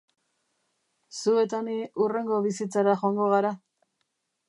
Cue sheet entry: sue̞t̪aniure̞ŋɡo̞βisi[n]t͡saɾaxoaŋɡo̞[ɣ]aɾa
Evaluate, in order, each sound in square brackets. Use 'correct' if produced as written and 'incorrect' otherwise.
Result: incorrect, correct

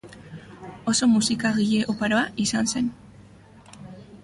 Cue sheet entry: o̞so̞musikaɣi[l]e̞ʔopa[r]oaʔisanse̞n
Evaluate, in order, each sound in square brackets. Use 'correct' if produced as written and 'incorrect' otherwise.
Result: incorrect, incorrect

